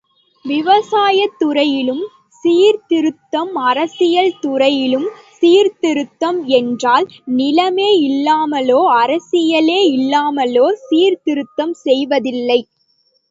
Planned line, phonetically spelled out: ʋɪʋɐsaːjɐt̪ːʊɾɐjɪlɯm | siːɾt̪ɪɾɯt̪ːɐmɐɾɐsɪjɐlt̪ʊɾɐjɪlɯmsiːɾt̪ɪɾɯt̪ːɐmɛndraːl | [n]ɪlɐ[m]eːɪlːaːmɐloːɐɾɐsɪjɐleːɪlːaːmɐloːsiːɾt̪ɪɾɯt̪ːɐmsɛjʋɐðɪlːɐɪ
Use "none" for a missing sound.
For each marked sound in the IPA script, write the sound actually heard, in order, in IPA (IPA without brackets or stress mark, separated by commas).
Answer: n, m